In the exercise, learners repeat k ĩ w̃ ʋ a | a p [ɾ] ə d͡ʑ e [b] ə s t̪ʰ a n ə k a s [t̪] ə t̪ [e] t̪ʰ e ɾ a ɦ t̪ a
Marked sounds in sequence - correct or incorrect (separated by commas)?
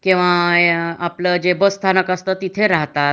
incorrect, correct, correct, incorrect